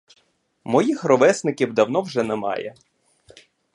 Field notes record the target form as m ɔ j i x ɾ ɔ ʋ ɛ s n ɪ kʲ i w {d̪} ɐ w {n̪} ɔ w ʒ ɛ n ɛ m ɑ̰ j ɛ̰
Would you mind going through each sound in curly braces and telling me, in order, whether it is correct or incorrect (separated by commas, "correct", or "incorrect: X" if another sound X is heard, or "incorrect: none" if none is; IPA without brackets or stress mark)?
correct, correct